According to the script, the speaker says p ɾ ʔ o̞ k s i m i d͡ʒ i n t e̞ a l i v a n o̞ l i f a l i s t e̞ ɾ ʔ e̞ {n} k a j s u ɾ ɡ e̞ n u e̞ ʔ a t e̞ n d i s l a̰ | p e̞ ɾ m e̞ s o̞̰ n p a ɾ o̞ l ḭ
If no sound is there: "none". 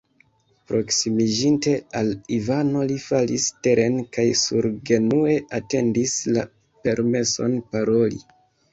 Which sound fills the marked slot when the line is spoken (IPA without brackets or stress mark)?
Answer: n